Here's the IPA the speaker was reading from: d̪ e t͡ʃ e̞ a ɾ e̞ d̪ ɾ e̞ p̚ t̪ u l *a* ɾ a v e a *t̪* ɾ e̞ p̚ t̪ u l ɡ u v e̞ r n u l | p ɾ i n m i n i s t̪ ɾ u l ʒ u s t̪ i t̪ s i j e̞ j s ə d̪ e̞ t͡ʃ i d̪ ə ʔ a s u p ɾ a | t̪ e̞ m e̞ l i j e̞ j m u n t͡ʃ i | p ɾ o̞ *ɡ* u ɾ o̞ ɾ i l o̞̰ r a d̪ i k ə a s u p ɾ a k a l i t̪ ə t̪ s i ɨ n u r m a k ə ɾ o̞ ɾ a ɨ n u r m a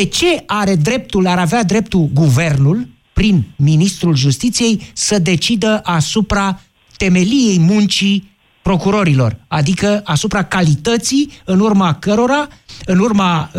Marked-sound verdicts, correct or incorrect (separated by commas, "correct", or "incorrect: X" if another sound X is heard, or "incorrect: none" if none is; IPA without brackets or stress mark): correct, incorrect: d̪, incorrect: k